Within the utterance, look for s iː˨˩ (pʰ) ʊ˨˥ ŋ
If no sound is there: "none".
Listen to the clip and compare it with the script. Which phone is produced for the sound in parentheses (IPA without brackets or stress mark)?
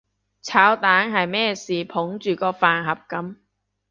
pʰ